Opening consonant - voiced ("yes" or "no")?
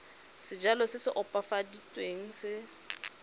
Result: no